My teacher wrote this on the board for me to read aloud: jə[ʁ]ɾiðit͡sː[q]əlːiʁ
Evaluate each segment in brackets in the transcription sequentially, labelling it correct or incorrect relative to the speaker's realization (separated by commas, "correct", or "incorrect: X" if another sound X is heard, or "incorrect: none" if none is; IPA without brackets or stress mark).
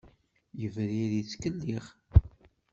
incorrect: v, incorrect: k